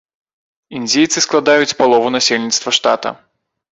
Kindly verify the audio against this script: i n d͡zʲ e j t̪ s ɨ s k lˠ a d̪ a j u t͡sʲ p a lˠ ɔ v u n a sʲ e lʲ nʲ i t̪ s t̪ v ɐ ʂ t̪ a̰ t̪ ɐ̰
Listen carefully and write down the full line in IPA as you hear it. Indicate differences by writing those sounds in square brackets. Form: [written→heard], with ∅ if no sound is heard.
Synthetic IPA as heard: i n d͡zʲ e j t̪ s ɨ s k lˠ a d̪ a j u t͡sʲ p a lˠ ɔ v u n a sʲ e lʲ nʲ i t̪ s t̪ v ɐ ʂ t̪ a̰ t̪ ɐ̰